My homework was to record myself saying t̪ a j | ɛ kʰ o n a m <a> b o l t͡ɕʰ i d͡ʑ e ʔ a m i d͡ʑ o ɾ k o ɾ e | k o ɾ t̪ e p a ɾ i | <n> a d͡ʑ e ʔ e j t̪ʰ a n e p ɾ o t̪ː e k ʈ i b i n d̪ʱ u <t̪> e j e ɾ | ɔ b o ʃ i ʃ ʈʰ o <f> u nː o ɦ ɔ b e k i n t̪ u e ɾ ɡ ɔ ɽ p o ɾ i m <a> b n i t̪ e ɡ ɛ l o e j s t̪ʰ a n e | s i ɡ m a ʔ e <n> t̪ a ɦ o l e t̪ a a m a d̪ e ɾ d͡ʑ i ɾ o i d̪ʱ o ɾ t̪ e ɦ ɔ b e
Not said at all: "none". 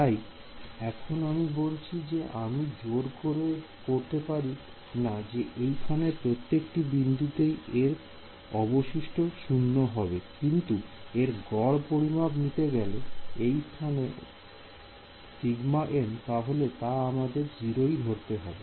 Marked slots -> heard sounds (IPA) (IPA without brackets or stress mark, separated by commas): i, n, t̪, ʃ, a, n